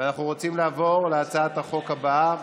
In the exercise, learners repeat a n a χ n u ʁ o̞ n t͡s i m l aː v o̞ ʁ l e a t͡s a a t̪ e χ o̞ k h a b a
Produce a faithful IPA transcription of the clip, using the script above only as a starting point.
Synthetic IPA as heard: a n a χ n u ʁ o̞ t͡s i m l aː v o̞ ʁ l e a t͡s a a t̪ a χ o̞ k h a b a